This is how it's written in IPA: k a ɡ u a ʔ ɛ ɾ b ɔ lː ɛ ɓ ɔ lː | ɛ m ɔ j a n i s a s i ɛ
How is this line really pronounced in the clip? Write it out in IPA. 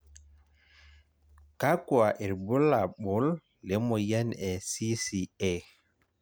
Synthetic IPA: k a k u a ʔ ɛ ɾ b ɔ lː a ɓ ɔ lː | ɛ m ɔ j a n ɛ s i s i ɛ